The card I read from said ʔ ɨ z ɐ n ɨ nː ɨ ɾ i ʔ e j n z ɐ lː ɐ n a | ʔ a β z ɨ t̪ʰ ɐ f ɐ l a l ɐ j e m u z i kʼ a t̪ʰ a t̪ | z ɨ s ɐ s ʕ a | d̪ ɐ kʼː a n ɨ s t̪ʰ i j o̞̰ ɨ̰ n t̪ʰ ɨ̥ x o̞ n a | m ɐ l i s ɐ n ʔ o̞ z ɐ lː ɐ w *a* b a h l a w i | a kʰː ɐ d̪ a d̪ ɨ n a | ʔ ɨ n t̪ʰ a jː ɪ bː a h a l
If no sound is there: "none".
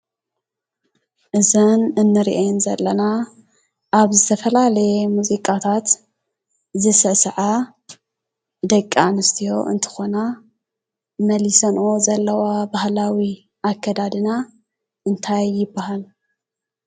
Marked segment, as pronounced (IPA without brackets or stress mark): a